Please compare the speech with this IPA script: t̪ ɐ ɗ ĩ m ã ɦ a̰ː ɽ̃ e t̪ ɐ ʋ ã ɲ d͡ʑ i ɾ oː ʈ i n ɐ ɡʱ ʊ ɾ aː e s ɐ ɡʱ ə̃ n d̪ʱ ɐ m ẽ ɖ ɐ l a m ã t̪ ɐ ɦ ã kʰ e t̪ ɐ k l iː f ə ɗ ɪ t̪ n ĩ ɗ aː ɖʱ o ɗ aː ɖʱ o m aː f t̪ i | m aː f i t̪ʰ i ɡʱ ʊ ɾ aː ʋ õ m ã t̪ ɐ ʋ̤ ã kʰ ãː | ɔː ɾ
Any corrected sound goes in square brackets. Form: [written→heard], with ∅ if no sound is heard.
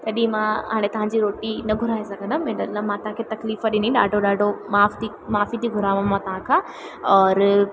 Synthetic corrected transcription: t̪ ɐ ɗ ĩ m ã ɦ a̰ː ɽ̃ e t̪ ɐ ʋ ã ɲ d͡ʑ i ɾ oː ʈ i n ɐ ɡʱ ʊ ɾ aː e s ɐ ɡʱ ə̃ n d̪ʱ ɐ m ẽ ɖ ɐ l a m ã t̪ ɐ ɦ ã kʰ e t̪ ɐ k l iː f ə ɗ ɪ [t̪→∅] n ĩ ɗ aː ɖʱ o ɗ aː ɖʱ o m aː f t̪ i | m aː f i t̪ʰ i ɡʱ ʊ ɾ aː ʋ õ m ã t̪ ɐ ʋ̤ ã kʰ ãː | ɔː ɾ